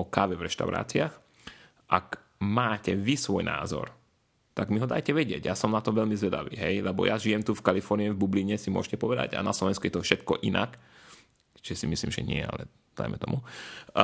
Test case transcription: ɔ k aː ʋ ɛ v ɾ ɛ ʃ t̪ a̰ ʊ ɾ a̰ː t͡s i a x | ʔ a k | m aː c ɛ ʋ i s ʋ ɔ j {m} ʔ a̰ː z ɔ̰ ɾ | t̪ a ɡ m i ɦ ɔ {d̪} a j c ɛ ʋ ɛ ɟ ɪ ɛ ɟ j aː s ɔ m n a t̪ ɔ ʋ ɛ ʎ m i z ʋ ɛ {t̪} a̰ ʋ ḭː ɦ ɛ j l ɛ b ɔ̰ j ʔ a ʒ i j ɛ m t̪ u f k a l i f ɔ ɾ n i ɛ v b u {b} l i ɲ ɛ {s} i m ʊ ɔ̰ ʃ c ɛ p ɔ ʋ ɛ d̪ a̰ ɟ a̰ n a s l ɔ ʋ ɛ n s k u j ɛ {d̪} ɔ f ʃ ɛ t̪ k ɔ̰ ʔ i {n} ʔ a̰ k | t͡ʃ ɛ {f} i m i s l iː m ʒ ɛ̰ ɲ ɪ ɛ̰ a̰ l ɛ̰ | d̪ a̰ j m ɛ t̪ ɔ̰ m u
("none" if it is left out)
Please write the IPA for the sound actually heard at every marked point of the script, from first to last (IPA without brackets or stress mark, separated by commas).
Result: n, d̪, d̪, b, s, t̪, n, s